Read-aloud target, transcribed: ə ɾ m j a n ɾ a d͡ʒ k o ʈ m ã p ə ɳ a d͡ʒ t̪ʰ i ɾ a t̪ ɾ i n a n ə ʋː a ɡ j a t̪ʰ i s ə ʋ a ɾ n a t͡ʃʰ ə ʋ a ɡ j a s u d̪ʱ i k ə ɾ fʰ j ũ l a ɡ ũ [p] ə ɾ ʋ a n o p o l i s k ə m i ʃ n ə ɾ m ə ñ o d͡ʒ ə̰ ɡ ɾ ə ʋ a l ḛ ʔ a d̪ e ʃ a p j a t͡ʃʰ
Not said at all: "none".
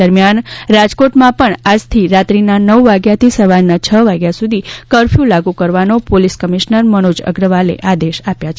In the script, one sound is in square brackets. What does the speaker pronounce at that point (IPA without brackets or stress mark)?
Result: k